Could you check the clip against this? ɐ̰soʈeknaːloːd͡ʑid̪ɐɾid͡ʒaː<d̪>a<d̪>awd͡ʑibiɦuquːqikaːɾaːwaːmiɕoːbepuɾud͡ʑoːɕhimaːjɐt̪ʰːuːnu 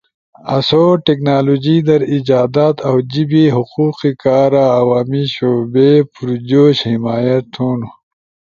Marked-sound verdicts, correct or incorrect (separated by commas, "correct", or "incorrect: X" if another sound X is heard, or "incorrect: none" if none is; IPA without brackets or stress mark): correct, incorrect: t̪